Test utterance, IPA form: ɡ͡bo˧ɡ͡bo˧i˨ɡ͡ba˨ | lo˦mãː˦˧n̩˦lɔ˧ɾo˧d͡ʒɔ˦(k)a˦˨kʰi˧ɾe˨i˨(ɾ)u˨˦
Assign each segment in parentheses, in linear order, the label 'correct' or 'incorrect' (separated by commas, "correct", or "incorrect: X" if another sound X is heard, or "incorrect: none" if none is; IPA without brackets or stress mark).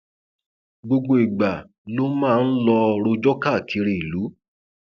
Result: correct, incorrect: l